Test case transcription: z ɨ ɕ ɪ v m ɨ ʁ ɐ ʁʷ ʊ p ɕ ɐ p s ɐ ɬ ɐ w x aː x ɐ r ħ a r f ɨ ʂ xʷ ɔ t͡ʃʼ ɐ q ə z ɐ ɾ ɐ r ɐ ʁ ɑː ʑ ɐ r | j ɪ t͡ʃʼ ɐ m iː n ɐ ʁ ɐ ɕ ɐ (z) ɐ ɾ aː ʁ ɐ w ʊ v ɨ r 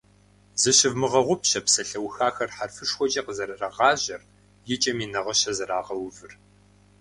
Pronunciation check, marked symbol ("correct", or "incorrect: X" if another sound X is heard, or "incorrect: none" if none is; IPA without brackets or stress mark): correct